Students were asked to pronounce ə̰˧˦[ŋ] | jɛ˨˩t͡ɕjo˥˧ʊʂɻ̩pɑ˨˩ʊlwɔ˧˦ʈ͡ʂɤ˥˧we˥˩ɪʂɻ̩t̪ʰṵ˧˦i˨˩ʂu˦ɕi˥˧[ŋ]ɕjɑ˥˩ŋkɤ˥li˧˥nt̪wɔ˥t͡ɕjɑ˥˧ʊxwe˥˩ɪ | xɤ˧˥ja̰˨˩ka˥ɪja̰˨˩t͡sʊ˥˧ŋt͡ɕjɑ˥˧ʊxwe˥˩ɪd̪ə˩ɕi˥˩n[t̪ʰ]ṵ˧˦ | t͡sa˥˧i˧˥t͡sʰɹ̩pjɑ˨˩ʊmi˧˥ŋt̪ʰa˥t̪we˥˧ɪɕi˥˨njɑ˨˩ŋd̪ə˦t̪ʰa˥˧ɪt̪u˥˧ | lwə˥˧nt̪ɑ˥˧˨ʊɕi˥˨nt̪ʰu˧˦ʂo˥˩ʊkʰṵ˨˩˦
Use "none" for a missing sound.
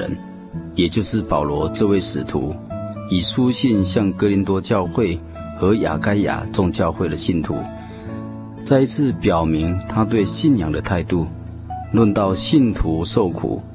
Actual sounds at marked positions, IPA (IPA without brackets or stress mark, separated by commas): n, n, t̪ʰ